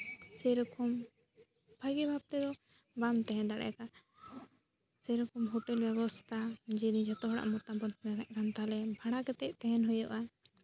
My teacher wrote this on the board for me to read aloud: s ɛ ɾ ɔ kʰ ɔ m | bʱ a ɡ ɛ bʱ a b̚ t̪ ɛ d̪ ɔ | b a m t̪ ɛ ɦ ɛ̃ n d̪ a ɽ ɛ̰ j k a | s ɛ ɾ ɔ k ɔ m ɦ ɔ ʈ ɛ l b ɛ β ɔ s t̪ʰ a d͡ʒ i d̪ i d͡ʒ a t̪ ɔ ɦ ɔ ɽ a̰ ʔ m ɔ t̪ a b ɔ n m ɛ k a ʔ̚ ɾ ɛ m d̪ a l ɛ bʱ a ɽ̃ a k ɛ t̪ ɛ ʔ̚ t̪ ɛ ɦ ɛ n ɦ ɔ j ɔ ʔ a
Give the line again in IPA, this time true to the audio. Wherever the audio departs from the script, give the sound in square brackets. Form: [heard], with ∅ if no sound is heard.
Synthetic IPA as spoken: s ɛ ɾ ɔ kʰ ɔ m | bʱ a ɡ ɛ bʱ a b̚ t̪ ɛ d̪ ɔ | b a m t̪ ɛ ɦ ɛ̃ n d̪ a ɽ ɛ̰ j k a | s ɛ ɾ ɔ k ɔ m ɦ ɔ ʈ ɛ l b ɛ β ɔ s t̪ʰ a d͡ʒ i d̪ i d͡ʒ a t̪ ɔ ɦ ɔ ɽ a̰ ʔ m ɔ t̪ a b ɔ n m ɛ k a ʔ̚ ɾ [a] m [t̪] a l ɛ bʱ a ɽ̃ a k ɛ t̪ ɛ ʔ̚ t̪ ɛ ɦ ɛ n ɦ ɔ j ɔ ʔ a